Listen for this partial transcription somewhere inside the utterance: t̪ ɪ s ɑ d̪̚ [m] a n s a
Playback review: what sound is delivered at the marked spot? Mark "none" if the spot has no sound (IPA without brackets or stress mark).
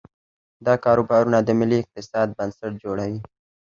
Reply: b